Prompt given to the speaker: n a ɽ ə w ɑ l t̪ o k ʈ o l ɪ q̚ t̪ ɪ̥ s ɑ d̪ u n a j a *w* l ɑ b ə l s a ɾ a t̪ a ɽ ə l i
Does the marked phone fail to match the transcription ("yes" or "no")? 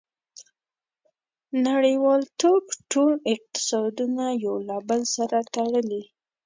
no